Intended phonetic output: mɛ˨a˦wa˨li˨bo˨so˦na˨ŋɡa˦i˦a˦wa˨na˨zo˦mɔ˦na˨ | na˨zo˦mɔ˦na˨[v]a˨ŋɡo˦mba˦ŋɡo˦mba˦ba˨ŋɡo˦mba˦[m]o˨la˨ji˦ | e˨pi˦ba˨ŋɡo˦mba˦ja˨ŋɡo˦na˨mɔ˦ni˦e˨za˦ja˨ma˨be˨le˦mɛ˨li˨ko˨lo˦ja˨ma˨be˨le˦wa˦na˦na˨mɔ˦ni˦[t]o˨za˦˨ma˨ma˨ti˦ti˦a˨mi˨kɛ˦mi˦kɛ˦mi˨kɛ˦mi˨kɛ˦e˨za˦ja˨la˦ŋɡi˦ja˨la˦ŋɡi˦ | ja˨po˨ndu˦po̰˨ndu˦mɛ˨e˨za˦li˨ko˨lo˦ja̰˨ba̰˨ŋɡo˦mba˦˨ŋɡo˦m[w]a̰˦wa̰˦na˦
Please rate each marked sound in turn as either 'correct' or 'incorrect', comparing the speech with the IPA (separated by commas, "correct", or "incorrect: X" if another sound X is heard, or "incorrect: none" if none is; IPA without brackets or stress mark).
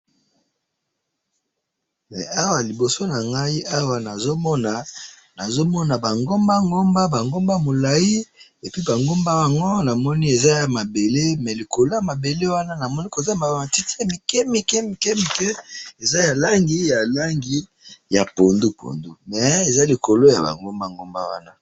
incorrect: b, correct, incorrect: k, incorrect: b